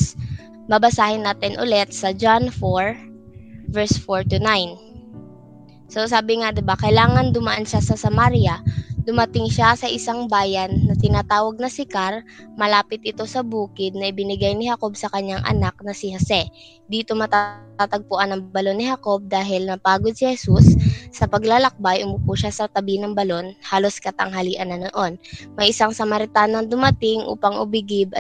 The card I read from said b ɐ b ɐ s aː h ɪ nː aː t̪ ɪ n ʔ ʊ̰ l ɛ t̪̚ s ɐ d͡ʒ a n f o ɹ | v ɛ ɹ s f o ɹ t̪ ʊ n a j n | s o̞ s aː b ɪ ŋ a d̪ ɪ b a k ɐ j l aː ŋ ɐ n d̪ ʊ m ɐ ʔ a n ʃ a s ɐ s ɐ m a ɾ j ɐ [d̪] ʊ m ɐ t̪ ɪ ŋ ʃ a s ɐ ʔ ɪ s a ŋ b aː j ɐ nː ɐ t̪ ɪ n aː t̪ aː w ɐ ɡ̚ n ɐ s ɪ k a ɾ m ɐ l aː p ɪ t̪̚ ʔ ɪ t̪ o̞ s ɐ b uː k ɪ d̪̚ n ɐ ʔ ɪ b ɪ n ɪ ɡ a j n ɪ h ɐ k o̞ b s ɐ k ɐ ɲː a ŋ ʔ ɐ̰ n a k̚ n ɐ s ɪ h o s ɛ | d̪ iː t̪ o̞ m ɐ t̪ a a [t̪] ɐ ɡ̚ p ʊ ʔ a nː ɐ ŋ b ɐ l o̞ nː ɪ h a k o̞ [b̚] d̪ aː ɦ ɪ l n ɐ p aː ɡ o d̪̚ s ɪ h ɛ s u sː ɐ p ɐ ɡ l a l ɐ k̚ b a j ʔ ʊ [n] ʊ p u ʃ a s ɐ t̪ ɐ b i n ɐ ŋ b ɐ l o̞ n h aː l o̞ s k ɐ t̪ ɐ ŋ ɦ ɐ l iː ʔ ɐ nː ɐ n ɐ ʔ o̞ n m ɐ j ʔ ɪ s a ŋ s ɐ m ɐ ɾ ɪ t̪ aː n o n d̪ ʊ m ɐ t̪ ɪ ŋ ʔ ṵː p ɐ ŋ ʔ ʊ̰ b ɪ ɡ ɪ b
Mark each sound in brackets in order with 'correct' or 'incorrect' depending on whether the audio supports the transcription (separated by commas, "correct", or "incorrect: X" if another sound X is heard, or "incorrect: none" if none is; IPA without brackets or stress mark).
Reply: correct, correct, correct, incorrect: m